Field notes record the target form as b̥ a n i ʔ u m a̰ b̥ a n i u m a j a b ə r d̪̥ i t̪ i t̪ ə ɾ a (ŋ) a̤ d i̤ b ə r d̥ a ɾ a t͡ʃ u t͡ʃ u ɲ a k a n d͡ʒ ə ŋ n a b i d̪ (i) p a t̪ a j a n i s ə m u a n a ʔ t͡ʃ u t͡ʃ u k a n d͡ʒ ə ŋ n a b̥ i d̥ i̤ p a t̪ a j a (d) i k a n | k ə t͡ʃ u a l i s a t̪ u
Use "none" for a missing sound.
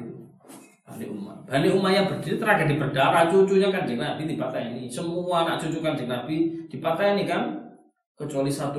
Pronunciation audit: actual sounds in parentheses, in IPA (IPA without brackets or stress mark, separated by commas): ɡ, i, n